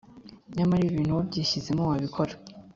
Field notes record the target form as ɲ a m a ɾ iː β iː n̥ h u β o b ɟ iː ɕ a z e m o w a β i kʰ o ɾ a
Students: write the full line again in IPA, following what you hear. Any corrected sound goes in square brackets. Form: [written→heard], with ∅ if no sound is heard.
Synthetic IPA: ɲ a m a ɾ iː β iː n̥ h u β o b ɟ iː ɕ [a→i] z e m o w a β i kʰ o ɾ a